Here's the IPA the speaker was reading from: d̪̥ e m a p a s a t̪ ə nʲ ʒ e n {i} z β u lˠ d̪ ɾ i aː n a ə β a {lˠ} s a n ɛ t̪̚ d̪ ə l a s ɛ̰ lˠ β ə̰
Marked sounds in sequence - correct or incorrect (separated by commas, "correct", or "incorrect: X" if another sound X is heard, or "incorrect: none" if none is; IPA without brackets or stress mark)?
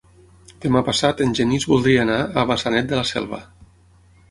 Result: correct, incorrect: none